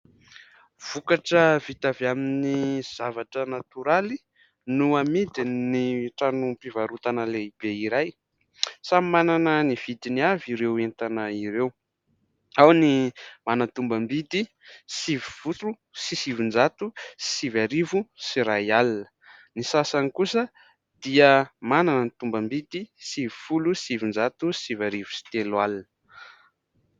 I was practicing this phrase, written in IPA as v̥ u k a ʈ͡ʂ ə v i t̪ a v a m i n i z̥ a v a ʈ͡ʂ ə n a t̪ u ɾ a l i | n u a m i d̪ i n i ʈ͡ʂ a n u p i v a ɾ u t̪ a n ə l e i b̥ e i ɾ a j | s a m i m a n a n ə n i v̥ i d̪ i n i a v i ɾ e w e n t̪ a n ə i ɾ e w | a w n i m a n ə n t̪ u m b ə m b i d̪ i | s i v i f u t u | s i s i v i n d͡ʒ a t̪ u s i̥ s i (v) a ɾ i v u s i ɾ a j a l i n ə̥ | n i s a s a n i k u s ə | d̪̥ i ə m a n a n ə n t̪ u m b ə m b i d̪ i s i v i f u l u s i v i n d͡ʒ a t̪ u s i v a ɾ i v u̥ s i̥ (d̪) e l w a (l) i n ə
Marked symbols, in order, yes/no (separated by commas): yes, no, yes